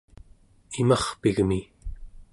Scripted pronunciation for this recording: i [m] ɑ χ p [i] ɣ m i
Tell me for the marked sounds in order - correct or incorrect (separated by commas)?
correct, correct